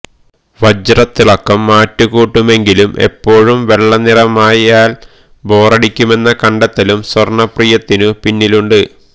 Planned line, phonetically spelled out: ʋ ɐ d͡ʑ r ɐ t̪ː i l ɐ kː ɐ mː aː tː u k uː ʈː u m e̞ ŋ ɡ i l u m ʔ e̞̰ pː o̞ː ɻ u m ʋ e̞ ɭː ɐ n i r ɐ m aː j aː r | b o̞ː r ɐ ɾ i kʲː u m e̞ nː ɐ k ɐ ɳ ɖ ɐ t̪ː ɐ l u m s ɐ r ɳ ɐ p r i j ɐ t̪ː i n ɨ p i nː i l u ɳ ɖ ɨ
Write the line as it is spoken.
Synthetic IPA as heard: ʋ ɐ d͡ʑ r ɐ t̪ː i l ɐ kː ɐ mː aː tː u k uː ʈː u m e̞ ŋ ɡ i l u m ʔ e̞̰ pː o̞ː ɻ u m ʋ e̞ ɭː ɐ n i r ɐ m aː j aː l | b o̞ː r ɐ ɽ i kʲː u m e̞ nː ɐ k ɐ ɳ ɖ ɐ t̪ː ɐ l u m s ɐ r ɳ ɐ p r i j ɐ t̪ː i n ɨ p i nː i l u ɳ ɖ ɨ